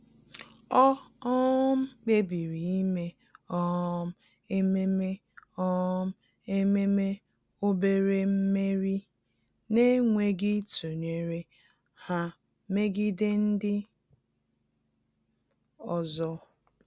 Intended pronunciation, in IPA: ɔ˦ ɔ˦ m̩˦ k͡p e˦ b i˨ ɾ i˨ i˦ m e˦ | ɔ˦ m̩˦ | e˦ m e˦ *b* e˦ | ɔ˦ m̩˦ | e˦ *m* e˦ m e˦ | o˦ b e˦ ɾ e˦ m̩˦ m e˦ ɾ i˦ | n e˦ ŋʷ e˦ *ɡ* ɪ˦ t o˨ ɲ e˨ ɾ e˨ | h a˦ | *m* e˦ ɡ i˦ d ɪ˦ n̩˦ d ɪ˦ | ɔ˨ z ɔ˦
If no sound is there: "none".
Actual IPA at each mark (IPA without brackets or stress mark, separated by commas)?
m, m, ɡ, m